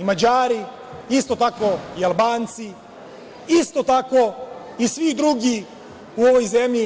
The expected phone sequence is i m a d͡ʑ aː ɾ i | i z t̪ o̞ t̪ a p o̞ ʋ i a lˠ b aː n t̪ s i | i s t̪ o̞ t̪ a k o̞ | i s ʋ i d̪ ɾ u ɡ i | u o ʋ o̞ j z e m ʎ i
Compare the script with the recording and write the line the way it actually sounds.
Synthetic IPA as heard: i m a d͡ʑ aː ɾ i | i s t̪ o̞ t̪ a k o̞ i a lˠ b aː n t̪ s i | i s t̪ o̞ t̪ a k o̞ | i s ʋ i d̪ ɾ u ɡ i | u o ʋ o̞ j z e m ʎ i

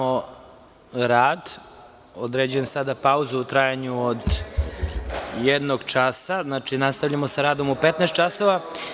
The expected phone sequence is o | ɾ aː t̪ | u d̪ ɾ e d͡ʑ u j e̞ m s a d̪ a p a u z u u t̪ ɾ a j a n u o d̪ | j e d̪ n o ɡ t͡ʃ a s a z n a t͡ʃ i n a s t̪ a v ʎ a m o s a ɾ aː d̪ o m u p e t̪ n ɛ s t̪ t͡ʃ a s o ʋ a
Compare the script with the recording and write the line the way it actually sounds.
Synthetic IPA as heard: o | ɾ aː d̪ | o d̪ ɾ e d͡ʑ u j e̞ m s a d̪ a p a u z u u t̪ ɾ a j a ɲ u o d̪ | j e d̪ n o ɡ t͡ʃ a s a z n a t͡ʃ i n a s t̪ a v ʎ a m o s a ɾ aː d̪ o m u p e t̪ n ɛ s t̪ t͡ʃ a s o ʋ a

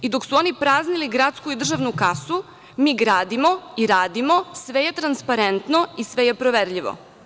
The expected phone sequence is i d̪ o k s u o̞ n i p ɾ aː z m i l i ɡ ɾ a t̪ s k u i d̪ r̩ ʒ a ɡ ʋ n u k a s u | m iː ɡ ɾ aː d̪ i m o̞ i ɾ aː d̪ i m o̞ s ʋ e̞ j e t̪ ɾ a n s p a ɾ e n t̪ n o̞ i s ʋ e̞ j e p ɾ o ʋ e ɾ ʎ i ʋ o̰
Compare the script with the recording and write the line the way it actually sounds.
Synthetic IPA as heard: i d̪ o k s u o̞ n i p ɾ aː z n i l i ɡ ɾ a t̪ s k u i d̪ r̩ ʒ a ʋ n u k a s u | m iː ɡ ɾ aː d̪ i m o̞ i ɾ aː d̪ i m o̞ s ʋ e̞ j e t̪ ɾ a n s p a ɾ e n t̪ n o̞ i s ʋ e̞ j e p ɾ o ʋ e ɾ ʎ i ʋ o̰

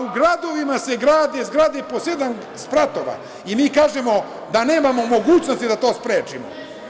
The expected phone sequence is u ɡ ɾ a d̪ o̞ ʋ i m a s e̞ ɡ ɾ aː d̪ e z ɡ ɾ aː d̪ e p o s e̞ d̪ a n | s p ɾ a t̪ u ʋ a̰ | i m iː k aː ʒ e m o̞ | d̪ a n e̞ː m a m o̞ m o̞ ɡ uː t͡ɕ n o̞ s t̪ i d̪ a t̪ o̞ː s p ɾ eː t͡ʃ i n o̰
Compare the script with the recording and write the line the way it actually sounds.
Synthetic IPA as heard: u ɡ ɾ a d̪ o̞ ʋ i m a s e̞ ɡ ɾ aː d̪ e z ɡ ɾ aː d̪ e p o s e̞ d̪ a n | s p ɾ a t̪ o ʋ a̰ | i m iː k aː ʒ e m o̞ | d̪ a n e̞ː m a m o̞ m o̞ ɡ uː t͡ɕ n o̞ s t̪ i d̪ a t̪ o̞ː s p ɾ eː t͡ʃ i m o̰

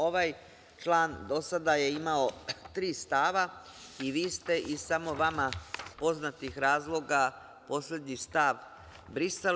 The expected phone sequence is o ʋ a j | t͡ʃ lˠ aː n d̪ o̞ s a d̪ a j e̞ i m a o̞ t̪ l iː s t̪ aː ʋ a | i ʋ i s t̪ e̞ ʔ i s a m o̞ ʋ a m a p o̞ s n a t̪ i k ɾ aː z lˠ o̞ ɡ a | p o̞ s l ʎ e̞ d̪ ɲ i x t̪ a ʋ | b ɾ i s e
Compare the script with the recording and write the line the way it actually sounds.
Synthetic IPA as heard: o ʋ a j | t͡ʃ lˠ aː n d̪ o̞ s a d̪ a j e̞ i m a o̞ t̪ ɾ iː s t̪ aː ʋ a | i ʋ iː s t̪ e̞ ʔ i s a m o̞ ʋ a m a p o̞ z n a t̪ i x ɾ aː z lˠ o̞ ɡ a | p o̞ s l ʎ e̞ d̪ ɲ i s t̪ a ʋ | b ɾ i s e

